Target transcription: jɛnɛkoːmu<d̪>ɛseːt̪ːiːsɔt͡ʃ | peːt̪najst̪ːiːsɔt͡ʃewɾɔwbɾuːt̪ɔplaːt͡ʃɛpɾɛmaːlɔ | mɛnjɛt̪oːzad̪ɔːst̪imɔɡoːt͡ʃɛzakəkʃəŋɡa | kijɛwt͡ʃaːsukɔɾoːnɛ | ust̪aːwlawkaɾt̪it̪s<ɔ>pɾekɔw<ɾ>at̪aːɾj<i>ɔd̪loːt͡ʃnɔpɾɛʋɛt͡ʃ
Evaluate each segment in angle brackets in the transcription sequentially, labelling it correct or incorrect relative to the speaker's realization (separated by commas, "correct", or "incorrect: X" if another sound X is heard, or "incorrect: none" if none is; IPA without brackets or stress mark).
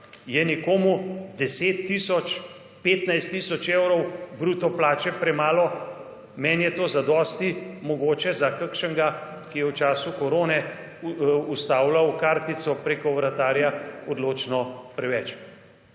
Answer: correct, correct, correct, incorrect: a